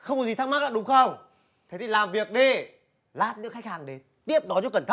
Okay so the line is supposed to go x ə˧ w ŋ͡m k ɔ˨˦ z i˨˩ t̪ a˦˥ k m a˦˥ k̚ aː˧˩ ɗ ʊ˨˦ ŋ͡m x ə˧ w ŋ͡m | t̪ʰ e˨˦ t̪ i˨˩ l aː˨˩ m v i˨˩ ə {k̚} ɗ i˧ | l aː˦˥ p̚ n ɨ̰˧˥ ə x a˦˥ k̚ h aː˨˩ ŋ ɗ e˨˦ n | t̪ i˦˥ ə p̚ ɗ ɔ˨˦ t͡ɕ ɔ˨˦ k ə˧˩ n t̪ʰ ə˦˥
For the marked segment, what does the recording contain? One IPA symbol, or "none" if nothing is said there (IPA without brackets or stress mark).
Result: k̚